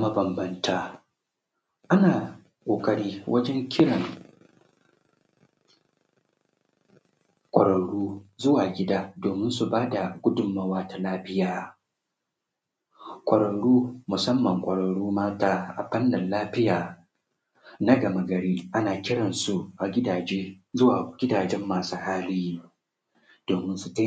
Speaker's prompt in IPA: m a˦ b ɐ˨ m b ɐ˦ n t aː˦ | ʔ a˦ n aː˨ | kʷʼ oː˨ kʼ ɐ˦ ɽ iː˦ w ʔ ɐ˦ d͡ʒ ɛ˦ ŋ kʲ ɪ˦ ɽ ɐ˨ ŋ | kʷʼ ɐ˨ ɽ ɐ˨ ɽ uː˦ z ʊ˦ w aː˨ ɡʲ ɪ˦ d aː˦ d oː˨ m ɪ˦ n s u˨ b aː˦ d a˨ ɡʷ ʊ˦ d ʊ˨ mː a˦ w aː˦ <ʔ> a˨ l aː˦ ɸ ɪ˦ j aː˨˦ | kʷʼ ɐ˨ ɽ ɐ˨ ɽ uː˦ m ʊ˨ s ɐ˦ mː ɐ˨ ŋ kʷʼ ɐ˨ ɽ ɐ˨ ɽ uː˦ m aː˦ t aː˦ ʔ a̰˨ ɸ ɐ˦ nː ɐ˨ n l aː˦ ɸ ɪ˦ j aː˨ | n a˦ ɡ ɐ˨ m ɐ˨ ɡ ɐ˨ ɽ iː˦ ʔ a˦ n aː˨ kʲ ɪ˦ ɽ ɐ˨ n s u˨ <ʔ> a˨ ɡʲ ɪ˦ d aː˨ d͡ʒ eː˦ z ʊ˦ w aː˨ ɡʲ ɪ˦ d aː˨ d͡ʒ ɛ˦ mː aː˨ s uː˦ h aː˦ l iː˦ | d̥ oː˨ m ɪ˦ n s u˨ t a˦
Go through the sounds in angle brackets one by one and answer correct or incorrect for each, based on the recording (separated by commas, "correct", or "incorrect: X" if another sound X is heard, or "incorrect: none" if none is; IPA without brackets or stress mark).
incorrect: t, correct